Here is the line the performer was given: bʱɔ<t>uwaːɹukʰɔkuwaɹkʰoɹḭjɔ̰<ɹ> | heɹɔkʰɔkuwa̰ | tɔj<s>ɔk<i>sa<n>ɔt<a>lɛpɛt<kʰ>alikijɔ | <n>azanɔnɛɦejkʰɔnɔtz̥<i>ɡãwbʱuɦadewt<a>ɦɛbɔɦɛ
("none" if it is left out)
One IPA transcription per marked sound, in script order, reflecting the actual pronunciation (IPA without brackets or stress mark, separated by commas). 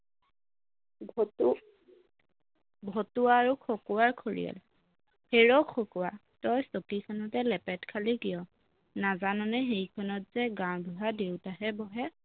t, l, s, i, n, ɛ, kʰ, n, ɛ, a